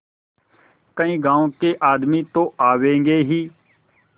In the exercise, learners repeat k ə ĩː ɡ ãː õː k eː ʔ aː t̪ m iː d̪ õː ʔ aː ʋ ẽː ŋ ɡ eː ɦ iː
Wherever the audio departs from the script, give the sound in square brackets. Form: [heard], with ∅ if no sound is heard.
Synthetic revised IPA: k ə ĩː ɡ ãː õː k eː ʔ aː [d̪] m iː [t̪] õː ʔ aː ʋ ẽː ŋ ɡ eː ɦ iː